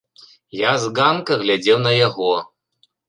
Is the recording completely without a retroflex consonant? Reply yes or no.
yes